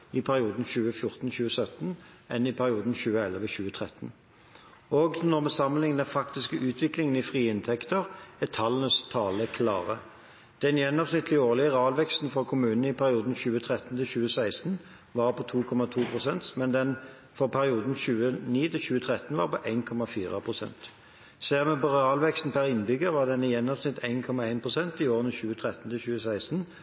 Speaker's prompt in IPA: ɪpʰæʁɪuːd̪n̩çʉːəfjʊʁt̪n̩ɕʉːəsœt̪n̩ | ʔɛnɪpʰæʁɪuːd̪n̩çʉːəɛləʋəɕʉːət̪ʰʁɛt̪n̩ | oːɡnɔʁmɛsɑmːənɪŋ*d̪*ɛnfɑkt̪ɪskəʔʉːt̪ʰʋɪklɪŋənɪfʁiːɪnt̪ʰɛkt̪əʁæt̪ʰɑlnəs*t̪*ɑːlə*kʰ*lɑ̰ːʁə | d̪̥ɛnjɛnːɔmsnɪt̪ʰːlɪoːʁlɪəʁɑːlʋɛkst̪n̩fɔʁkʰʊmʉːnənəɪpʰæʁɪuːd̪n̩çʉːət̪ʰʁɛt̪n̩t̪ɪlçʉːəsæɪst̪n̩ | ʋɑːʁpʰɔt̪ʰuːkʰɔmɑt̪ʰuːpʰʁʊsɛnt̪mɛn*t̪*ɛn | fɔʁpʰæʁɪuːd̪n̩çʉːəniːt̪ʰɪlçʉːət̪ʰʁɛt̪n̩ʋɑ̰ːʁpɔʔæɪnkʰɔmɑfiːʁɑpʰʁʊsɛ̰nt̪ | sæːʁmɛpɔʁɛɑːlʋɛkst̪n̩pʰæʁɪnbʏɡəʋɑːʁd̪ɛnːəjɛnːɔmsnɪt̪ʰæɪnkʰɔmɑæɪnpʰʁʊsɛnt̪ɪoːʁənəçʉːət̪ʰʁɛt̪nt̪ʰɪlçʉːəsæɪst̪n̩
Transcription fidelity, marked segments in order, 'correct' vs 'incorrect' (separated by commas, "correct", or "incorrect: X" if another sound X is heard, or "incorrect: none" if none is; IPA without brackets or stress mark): correct, incorrect: t̪ʰ, correct, incorrect: d̪